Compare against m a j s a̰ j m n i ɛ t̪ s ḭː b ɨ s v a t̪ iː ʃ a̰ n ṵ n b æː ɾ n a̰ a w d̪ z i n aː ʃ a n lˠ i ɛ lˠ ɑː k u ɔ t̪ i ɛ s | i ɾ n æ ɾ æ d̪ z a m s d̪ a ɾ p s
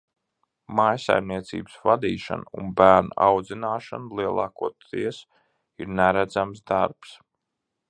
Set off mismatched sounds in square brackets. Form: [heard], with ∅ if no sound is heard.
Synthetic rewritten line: m a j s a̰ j m n i ɛ t̪ s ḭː b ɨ s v a [d̪] iː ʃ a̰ n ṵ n b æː ɾ n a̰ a w d̪ z i n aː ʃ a n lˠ i ɛ lˠ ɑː k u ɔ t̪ i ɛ s | i ɾ n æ ɾ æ d̪ z a m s d̪ a ɾ p s